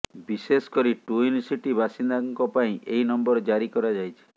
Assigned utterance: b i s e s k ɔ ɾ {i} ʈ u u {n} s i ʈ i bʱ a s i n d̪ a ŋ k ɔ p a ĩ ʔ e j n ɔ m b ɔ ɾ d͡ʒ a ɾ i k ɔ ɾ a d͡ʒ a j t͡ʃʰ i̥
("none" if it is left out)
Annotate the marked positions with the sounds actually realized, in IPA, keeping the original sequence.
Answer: i, n

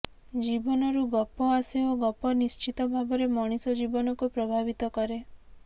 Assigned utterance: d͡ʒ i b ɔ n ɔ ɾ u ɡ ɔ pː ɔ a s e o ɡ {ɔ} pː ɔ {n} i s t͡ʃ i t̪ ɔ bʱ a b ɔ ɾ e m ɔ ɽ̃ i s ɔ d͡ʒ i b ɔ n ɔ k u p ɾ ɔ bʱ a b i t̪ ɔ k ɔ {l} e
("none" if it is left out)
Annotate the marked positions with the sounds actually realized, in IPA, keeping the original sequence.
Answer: ɔ, n, ɾ

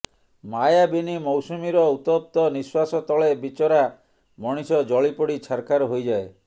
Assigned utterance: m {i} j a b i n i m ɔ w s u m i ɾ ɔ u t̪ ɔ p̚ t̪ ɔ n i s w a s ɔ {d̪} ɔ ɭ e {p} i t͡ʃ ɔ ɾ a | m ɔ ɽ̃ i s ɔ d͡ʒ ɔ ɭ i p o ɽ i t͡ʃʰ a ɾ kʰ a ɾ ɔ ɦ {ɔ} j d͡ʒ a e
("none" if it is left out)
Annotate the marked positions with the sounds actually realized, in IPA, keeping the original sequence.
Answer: a, t̪, b, o

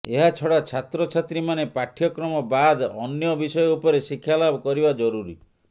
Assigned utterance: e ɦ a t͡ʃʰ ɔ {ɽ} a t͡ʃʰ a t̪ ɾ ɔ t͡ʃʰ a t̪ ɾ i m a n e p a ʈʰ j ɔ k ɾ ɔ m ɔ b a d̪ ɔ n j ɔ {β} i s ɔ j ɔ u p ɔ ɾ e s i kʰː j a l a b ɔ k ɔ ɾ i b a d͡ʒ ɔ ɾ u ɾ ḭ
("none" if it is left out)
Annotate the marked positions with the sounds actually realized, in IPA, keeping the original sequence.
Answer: ɽ, b

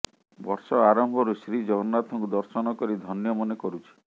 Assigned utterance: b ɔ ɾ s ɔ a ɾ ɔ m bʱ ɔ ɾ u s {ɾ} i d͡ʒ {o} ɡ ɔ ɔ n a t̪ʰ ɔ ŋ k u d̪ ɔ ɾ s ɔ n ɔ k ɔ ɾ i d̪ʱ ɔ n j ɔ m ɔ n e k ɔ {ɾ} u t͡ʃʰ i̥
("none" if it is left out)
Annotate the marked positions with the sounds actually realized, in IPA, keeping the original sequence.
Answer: ɾ, ɔ, ɾ

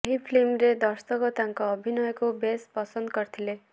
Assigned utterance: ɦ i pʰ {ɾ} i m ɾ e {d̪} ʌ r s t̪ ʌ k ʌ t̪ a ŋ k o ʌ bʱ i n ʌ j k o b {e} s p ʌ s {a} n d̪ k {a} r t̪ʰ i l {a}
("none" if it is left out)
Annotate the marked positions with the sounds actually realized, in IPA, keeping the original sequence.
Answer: l, d̪, e, ʌ, ʌ, e

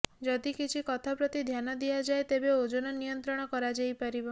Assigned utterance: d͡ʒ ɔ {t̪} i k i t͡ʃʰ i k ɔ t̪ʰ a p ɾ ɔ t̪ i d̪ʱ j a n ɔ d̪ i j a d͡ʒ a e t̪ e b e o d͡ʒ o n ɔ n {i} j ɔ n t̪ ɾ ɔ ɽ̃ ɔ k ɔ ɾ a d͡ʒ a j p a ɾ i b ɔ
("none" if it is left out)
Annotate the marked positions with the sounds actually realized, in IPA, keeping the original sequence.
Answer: d̪, i

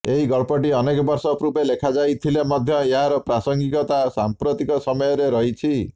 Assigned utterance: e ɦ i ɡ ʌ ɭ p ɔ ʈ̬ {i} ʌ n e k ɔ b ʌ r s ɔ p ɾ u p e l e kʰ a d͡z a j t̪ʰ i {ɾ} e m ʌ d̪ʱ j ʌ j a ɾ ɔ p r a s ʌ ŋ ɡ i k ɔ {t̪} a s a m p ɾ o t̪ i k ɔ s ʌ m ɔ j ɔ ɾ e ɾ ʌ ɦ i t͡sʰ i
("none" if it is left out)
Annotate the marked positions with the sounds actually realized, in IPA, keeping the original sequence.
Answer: i, l, t̪

